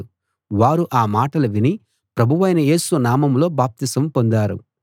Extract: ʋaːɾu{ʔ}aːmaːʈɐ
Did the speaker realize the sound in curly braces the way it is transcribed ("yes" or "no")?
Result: yes